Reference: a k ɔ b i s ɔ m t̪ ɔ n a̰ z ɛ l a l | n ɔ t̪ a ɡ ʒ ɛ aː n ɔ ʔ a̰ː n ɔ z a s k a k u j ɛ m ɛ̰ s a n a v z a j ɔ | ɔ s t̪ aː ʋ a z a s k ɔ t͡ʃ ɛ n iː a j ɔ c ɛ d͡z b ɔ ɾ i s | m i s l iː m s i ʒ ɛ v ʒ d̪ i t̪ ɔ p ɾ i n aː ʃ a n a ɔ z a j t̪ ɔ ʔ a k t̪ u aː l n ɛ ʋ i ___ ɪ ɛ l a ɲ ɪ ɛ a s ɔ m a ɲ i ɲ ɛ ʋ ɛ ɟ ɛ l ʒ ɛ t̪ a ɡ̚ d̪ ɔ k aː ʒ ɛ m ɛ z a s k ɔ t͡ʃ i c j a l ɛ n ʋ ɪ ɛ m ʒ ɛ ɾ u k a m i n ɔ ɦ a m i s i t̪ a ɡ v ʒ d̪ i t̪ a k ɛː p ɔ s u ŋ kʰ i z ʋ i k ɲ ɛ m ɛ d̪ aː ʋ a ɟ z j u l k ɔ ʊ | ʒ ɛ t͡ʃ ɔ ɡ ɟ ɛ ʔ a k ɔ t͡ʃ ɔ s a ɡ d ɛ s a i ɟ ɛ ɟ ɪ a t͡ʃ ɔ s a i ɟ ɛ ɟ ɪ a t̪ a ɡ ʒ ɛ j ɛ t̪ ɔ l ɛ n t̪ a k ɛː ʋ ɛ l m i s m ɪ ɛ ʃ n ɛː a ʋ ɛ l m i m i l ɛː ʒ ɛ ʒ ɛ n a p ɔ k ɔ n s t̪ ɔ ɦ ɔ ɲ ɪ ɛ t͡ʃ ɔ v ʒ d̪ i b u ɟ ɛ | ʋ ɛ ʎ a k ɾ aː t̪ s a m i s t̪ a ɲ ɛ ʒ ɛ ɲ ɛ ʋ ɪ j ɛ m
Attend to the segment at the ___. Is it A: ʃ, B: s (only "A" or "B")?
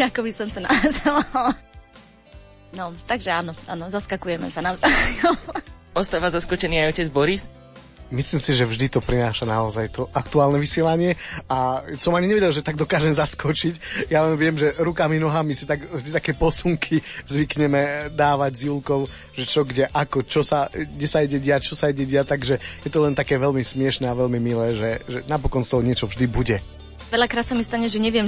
B